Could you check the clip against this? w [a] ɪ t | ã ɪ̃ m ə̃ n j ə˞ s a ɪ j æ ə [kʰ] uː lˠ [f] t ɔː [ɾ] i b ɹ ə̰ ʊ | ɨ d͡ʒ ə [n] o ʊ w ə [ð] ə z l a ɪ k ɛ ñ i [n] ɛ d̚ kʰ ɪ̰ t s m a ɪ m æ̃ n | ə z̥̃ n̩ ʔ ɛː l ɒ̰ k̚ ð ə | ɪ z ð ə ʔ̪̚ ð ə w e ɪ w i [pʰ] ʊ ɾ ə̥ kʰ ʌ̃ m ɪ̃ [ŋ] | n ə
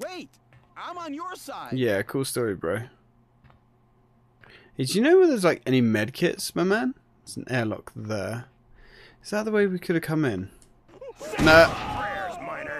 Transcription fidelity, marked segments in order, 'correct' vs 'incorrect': incorrect: e, correct, incorrect: s, incorrect: ɹ, correct, correct, incorrect: m, incorrect: kʰ, incorrect: n

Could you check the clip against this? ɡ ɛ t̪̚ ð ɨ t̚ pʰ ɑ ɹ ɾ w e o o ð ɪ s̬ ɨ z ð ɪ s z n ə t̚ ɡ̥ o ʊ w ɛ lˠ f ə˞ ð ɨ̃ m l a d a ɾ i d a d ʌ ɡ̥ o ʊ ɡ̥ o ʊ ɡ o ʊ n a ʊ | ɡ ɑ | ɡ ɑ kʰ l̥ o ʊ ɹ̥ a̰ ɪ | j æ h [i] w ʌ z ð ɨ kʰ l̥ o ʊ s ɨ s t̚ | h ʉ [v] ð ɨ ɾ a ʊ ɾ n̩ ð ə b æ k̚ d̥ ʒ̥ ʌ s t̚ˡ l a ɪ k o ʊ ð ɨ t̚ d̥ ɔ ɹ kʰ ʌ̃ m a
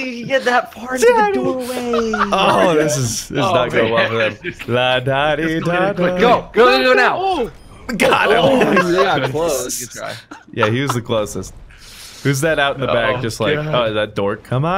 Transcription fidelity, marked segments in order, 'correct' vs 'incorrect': correct, incorrect: z

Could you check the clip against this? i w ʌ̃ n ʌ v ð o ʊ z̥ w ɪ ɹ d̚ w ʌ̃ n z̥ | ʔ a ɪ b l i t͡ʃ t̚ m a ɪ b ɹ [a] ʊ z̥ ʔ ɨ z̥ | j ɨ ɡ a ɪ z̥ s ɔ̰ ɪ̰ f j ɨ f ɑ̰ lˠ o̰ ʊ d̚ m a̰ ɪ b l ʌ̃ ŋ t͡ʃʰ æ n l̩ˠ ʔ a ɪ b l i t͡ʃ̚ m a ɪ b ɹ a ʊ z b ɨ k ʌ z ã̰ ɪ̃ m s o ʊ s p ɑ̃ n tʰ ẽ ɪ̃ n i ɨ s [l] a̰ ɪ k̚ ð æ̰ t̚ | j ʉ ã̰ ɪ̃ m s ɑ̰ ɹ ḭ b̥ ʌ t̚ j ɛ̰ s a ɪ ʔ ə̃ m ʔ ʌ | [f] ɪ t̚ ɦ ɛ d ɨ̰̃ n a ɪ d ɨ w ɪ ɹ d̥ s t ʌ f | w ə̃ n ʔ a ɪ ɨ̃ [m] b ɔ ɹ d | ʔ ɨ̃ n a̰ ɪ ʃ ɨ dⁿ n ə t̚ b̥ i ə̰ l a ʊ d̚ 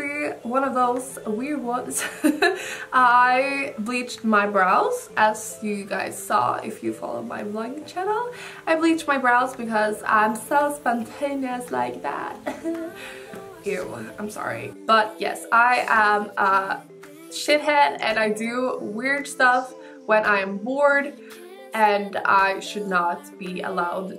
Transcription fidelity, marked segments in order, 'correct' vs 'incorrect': correct, correct, incorrect: ʃ, correct

